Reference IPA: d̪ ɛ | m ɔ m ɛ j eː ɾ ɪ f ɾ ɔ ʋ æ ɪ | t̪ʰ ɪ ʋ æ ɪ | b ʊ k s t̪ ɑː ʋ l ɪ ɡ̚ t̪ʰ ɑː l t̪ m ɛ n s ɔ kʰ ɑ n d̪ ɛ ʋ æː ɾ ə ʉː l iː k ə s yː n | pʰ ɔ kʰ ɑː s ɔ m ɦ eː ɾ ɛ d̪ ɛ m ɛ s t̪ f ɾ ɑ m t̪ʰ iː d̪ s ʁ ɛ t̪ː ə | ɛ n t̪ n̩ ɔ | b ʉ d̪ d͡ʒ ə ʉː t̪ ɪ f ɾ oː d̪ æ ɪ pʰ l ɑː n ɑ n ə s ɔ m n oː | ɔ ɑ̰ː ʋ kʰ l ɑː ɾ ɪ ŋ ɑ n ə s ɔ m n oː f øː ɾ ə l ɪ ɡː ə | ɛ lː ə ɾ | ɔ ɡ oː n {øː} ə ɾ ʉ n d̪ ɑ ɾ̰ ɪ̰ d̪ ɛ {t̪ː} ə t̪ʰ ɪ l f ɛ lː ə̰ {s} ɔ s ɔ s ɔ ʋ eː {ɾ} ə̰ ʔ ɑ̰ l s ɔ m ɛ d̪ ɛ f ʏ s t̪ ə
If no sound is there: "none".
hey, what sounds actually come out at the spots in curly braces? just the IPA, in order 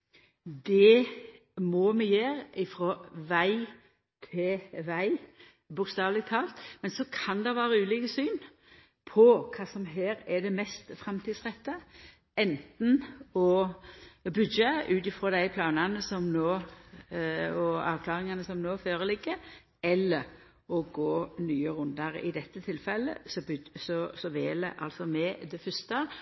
yː, t̪ː, s, l

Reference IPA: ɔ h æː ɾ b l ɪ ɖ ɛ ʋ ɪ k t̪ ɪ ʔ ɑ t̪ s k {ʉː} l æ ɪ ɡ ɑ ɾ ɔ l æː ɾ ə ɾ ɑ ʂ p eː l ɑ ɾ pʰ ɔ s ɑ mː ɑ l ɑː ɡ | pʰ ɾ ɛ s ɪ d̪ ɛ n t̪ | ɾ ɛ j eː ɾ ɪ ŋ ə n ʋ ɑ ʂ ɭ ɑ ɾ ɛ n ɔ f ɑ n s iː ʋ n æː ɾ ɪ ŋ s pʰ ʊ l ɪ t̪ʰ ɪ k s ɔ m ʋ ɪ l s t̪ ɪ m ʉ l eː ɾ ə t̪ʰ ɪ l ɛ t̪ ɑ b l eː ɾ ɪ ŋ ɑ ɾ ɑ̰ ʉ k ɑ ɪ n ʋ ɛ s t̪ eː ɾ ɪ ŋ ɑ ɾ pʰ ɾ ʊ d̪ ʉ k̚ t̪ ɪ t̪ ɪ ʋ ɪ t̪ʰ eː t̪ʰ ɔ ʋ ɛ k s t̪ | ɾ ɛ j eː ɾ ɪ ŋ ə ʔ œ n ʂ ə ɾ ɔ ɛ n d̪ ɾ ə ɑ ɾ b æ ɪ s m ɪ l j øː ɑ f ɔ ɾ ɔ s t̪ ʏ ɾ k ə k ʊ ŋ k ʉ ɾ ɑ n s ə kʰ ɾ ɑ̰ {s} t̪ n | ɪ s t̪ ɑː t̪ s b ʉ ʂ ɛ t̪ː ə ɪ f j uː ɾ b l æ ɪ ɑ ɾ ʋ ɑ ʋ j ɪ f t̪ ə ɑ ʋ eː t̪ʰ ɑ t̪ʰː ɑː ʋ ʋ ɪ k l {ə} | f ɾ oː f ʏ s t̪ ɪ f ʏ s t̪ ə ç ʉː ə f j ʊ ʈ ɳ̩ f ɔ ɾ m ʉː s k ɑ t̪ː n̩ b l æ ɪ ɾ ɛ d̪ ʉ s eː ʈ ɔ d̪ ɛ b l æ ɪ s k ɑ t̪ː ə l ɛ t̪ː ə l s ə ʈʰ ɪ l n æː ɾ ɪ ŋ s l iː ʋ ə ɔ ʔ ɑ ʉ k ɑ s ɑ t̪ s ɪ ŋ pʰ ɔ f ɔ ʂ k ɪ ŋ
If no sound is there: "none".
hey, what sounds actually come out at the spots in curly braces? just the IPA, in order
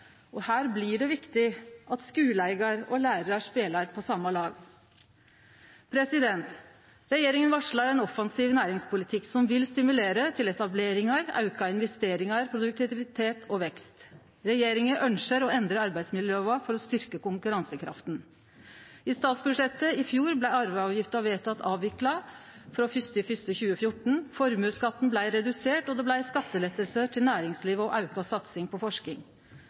ʉː, f, ɑ

